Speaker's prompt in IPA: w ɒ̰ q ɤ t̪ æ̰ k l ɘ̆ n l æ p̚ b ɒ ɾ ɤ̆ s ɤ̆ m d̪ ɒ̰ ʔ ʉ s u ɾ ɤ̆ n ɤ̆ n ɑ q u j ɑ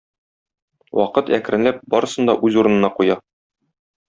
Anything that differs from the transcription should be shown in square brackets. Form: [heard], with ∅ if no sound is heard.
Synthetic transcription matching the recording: w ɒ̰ q ɤ t̪ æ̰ k [ɾ] ɘ̆ n l æ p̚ b ɒ ɾ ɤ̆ s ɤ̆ [n] d̪ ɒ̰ ʔ ʉ [z] u ɾ ɤ̆ n ɤ̆ n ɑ q u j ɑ